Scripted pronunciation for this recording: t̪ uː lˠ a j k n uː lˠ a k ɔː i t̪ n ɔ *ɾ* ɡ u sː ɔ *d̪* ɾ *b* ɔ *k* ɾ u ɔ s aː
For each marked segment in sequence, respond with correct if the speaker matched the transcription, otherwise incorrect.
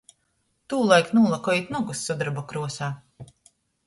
incorrect, correct, correct, correct

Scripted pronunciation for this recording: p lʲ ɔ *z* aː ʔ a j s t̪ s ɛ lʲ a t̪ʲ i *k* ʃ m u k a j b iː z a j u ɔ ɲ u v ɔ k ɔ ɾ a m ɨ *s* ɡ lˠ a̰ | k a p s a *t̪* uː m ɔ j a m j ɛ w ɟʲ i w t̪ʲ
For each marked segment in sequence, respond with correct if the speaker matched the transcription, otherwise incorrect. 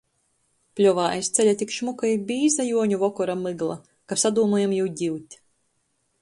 incorrect, correct, incorrect, incorrect

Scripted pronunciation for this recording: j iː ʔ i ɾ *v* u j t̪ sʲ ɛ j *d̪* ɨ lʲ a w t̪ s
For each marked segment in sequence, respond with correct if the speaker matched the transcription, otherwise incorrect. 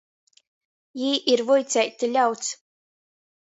correct, incorrect

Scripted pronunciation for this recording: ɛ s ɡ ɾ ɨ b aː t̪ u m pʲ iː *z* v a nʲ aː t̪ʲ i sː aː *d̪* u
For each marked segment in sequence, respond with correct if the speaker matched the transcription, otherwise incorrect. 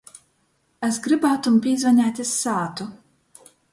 correct, incorrect

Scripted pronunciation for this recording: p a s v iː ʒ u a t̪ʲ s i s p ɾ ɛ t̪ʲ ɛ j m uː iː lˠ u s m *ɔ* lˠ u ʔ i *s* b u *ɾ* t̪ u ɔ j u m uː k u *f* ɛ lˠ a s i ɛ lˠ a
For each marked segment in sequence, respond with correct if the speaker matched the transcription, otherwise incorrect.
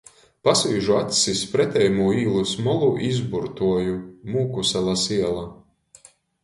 correct, incorrect, correct, incorrect

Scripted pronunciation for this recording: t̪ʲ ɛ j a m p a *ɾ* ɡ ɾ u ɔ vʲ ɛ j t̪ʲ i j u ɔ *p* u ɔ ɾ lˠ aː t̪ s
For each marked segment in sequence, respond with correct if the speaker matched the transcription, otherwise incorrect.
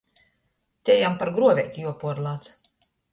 correct, correct

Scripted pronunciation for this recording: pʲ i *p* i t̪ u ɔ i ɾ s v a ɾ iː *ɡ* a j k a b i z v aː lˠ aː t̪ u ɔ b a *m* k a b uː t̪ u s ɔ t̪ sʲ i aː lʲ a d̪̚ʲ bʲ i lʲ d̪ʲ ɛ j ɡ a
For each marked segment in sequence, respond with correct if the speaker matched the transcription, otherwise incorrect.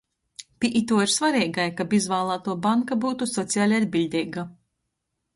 incorrect, correct, incorrect

